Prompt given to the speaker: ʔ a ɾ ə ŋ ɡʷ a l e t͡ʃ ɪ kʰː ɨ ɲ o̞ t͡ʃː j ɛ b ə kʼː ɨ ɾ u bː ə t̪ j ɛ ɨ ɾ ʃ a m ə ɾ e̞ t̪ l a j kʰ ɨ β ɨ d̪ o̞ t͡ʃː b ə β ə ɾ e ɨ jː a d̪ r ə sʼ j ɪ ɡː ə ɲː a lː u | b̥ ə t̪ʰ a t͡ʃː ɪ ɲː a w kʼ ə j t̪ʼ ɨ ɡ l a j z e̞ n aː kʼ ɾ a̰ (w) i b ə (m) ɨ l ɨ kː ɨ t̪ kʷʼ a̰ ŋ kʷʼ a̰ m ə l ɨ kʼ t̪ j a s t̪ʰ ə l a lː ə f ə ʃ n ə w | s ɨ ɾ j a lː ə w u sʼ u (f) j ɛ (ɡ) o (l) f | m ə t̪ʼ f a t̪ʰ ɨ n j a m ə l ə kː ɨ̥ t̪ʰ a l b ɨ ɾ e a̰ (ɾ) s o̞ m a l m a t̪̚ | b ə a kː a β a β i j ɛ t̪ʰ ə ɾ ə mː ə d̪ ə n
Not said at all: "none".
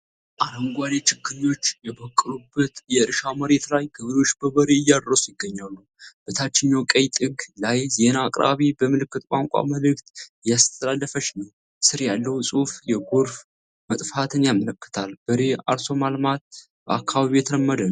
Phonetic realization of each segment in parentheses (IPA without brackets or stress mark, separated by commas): β, m, f, ɡ, ɾ, ɾ